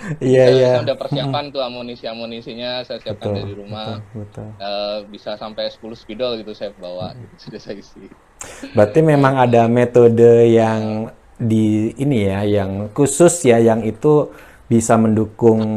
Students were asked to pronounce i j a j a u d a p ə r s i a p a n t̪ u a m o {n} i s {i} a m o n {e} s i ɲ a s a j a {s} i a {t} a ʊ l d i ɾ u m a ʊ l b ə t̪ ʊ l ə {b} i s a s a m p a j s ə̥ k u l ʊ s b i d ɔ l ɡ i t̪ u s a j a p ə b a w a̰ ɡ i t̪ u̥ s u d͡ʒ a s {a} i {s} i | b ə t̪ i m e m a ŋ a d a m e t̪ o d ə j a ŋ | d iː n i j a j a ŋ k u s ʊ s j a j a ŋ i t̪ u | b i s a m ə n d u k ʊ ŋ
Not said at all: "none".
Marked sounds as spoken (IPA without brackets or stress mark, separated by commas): n, i, i, s, t, b, a, s